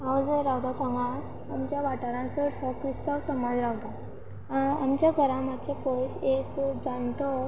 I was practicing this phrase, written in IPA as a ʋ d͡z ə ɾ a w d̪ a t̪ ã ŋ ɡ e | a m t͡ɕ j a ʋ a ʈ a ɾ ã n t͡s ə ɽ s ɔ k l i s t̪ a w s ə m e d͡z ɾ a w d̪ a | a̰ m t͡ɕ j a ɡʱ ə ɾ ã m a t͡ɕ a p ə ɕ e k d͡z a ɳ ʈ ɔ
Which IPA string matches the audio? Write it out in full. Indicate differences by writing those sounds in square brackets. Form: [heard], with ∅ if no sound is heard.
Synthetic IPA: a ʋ d͡z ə ɾ a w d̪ a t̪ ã ŋ ɡ [a] | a m t͡ɕ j a ʋ a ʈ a ɾ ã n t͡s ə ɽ s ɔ k [ɾ] i s t̪ a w s ə m [a] d͡z ɾ a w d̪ a | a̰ m t͡ɕ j a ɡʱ ə ɾ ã m a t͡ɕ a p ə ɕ e k d͡z a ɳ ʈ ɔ